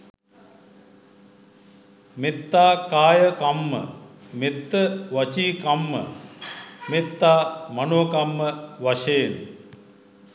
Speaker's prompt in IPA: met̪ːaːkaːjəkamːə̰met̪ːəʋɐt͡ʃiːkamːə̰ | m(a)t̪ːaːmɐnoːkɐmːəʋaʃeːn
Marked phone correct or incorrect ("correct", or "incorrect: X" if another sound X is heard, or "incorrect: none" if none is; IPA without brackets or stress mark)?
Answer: incorrect: e